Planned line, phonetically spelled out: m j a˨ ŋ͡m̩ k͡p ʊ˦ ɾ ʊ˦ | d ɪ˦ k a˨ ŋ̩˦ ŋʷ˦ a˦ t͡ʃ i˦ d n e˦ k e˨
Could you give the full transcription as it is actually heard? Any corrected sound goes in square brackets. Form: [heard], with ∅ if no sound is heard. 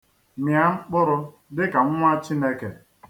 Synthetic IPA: m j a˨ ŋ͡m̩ k͡p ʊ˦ ɾ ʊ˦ | d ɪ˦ k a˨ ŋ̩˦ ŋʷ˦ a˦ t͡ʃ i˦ [∅] n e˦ k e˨

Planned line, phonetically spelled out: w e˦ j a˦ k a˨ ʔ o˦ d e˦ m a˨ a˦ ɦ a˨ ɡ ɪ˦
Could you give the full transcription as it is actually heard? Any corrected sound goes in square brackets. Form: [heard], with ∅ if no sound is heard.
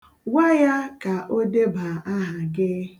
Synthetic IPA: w [a˦] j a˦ k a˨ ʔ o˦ d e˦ [b] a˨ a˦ ɦ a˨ ɡ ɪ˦

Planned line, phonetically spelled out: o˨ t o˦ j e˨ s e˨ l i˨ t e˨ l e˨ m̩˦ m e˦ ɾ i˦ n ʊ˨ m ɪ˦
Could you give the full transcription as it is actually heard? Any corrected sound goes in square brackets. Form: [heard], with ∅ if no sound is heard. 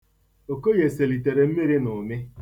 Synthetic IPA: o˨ [k] o˦ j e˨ s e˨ l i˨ t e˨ [ɾ] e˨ m̩˦ m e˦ ɾ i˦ n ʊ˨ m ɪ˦

